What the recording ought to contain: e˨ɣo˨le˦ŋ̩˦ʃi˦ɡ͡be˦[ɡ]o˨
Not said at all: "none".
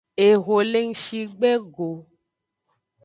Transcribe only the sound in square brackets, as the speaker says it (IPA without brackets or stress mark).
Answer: ɡ